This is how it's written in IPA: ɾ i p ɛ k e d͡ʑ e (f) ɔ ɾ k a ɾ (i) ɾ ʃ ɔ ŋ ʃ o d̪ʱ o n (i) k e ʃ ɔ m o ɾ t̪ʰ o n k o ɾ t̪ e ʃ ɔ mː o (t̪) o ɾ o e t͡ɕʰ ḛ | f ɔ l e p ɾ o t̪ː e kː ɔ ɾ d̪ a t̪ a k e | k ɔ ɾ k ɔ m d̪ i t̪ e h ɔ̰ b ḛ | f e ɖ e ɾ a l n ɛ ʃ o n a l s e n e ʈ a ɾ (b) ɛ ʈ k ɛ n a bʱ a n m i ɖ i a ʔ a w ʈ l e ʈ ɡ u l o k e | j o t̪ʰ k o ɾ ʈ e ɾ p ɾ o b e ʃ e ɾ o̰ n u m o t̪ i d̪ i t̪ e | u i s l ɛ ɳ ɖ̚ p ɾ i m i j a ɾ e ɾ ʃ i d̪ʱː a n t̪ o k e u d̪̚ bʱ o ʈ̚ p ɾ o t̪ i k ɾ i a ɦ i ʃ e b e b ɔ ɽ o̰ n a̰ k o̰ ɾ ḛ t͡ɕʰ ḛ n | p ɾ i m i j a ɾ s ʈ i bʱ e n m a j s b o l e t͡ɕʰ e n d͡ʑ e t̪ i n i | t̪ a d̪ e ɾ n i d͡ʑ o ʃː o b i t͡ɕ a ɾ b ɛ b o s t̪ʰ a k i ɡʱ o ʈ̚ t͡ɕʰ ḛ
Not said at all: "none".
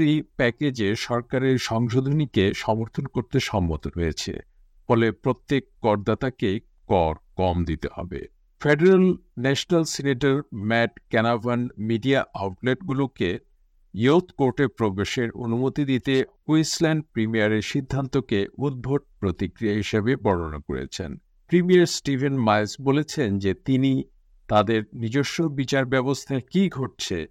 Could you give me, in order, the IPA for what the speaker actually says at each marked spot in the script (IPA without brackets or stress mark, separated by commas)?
ʃ, e, i, t̪, m